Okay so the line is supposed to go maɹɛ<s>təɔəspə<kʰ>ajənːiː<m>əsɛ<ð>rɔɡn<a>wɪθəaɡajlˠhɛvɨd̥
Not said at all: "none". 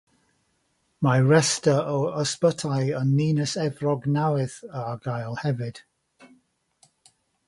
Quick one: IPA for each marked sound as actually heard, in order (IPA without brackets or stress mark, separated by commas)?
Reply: s, tʰ, n, v, a